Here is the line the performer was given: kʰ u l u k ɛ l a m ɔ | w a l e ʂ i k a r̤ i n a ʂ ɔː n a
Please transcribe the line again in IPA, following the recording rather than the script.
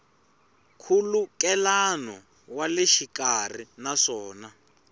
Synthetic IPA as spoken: kʰ u l u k ɛ l a n ɔ | w a l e ʃ i k a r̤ i n a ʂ ɔː n a